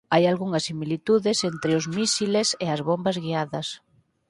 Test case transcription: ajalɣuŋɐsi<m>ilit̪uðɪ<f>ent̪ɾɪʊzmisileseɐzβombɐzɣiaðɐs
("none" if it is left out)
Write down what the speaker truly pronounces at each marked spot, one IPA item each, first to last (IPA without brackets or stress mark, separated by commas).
m, s